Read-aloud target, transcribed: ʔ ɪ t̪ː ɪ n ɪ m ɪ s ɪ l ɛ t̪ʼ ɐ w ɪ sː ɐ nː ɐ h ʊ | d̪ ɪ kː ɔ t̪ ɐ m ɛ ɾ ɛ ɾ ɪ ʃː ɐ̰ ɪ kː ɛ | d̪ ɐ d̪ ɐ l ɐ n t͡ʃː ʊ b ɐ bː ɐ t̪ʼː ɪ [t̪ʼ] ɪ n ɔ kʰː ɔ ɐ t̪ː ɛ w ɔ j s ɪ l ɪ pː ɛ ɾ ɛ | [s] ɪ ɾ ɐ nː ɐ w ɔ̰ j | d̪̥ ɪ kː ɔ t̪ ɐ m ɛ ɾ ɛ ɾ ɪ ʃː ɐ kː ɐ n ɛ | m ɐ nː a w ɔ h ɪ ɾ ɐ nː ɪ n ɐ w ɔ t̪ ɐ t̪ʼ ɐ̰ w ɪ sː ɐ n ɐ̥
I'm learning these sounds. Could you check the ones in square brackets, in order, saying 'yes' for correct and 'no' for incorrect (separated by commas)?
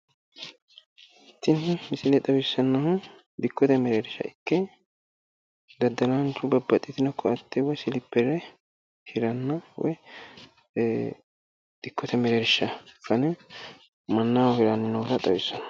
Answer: no, no